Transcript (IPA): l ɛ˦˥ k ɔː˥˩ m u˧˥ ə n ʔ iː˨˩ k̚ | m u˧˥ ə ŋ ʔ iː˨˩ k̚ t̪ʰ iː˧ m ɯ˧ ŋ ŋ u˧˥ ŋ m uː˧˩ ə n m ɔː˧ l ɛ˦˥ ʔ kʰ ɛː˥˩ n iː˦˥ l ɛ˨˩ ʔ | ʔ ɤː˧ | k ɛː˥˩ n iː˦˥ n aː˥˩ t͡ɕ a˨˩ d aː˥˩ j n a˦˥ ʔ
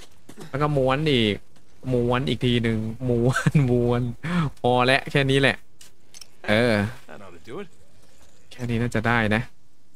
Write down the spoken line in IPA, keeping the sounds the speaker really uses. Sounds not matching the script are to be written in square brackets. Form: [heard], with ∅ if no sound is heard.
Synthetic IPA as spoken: l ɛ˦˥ k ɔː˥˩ m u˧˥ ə n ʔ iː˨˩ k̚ | m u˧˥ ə [n] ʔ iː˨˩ k̚ t̪ʰ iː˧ [n] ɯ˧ ŋ [m] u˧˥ [n] m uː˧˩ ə n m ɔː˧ l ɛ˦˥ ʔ kʰ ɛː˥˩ n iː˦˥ l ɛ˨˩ ʔ | ʔ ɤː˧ | [kʰ] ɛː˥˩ n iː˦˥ n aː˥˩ t͡ɕ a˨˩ d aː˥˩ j n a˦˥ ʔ